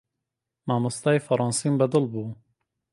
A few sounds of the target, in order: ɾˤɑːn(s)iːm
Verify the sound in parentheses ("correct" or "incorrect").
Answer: correct